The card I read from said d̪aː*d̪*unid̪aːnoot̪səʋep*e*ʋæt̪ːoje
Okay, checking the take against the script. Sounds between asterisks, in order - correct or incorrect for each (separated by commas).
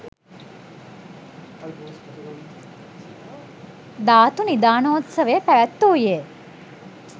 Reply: incorrect, incorrect